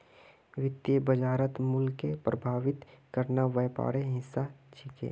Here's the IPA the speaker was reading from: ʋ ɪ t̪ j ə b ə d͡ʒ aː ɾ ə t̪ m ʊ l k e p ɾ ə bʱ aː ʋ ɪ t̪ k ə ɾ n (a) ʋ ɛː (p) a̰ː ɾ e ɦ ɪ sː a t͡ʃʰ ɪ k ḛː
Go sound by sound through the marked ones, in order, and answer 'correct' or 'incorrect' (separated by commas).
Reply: correct, correct